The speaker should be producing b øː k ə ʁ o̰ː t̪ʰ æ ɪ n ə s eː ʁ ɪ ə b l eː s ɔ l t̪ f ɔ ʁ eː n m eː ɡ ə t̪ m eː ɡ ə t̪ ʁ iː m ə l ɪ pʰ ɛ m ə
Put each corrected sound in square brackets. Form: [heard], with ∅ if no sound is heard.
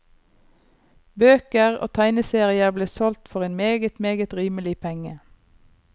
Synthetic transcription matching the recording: b øː k ə ʁ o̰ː t̪ʰ æ ɪ n ə s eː ʁ ɪ ə b l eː s ɔ l t̪ f ɔ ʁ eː n m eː ɡ ə t̪ m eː ɡ ə t̪ ʁ iː m ə l ɪ pʰ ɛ [ŋ] ə

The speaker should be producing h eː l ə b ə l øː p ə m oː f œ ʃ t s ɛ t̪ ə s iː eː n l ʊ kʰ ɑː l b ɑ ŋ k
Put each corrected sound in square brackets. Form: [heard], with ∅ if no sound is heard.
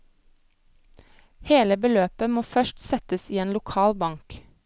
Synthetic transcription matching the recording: h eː l ə b ə l øː p ə m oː f œ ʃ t s ɛ t̪ ə s iː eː n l ʊ kʰ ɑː l b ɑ ŋ k

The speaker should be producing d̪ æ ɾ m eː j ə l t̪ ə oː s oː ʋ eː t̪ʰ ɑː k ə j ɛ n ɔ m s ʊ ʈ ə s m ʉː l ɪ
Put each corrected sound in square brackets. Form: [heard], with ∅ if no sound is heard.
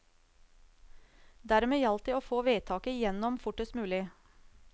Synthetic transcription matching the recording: d̪ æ ɾ m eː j [ɑ] l t̪ ə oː [f] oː ʋ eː t̪ʰ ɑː k ə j ɛ n ɔ m [f] ʊ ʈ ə s m ʉː l ɪ

